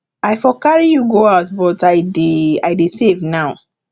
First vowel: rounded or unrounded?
unrounded